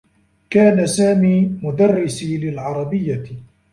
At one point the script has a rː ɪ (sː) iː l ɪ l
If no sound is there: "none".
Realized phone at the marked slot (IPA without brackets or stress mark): s